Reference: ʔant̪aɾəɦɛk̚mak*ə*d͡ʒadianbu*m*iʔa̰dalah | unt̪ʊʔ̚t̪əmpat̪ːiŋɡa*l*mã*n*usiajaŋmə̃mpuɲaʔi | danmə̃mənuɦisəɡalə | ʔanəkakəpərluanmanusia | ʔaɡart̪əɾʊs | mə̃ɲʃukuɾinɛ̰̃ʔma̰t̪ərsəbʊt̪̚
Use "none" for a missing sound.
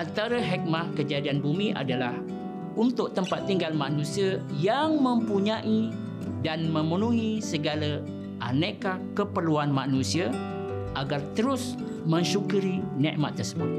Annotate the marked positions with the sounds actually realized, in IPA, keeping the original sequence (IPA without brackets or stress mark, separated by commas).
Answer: ə, m, l, n